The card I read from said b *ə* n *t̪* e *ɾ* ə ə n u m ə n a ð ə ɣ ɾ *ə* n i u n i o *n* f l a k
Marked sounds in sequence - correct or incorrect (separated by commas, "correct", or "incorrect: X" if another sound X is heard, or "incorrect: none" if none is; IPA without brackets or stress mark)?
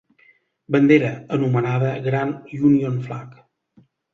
correct, incorrect: d̪, correct, incorrect: a, correct